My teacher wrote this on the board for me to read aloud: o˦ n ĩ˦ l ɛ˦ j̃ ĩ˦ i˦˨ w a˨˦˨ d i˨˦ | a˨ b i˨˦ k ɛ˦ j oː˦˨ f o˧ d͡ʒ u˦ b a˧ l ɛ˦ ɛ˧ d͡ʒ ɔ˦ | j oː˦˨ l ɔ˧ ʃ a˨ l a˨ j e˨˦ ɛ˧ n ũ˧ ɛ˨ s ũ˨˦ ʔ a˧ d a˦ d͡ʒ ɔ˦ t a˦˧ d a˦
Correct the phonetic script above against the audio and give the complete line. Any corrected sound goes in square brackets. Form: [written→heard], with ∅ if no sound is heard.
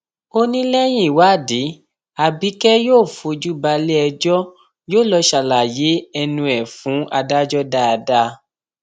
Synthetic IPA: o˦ n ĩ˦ l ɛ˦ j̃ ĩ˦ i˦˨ w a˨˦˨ d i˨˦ | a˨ b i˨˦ k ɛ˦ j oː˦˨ f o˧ d͡ʒ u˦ b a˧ l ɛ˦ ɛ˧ d͡ʒ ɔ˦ | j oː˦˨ l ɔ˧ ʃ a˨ l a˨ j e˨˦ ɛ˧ n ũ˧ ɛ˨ [s→f] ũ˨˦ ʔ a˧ d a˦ d͡ʒ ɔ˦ [t→d] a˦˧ d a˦